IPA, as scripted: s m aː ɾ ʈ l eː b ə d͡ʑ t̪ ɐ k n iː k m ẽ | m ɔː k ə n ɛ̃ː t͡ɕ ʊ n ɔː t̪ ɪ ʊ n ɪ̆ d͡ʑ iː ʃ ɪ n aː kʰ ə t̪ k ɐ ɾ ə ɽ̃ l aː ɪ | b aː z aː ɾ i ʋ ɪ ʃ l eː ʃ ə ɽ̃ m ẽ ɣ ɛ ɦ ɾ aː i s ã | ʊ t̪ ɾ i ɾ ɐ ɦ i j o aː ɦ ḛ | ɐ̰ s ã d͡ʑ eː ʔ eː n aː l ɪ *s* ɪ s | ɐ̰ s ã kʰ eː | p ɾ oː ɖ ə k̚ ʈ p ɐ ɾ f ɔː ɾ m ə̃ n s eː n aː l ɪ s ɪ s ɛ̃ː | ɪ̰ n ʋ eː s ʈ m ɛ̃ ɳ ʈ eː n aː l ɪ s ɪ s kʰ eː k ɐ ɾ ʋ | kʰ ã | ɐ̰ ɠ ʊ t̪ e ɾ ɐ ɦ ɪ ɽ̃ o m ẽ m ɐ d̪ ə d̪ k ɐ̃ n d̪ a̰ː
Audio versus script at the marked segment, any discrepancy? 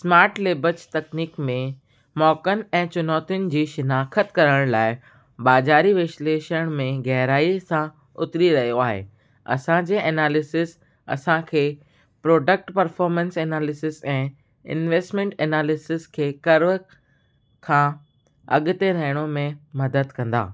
no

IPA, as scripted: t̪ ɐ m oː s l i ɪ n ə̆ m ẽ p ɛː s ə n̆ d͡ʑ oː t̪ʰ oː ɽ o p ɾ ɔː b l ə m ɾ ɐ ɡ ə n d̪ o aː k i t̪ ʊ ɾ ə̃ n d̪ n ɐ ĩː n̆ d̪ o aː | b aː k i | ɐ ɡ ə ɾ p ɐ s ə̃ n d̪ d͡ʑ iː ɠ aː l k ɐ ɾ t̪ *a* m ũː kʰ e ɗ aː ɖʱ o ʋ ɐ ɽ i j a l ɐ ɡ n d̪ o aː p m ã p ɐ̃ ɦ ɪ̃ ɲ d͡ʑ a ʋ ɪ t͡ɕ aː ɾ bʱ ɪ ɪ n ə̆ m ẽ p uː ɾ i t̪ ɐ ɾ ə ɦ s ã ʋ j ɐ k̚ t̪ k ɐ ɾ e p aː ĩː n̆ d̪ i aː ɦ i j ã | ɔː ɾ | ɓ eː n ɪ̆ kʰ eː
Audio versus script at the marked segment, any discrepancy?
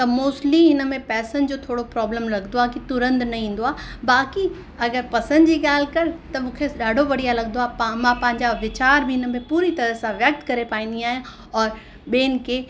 yes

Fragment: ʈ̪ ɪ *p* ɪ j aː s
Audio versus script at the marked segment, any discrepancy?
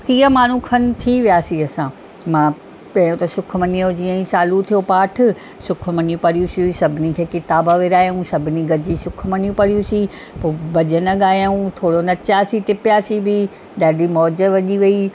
no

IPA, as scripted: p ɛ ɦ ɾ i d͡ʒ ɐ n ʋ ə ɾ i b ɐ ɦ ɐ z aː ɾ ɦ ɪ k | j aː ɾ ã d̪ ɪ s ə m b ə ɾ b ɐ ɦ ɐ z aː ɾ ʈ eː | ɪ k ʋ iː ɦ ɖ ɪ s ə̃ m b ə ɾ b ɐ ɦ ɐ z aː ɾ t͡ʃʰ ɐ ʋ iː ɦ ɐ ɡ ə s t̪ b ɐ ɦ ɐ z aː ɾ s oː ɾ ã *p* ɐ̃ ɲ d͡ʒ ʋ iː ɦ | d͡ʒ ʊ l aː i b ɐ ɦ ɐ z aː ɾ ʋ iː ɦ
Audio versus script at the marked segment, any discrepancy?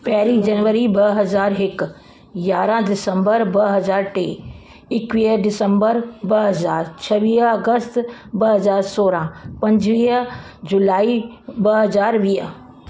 no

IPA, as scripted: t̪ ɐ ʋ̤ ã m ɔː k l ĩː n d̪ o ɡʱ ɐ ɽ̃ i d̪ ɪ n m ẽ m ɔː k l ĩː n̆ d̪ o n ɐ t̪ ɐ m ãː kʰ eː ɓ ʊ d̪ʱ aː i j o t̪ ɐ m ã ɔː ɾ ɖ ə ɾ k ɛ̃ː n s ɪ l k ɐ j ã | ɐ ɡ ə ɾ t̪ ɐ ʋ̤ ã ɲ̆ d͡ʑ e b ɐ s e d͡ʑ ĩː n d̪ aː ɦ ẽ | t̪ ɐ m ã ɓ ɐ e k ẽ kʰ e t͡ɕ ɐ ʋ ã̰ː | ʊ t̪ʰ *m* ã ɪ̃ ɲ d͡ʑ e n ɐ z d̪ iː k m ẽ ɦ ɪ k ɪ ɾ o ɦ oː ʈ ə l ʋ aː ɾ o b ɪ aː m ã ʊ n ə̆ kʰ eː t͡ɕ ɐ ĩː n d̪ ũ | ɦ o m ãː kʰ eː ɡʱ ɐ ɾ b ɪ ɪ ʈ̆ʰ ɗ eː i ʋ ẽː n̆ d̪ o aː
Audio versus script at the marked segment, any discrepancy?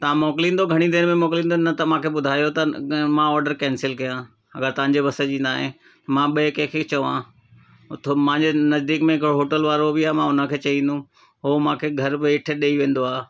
no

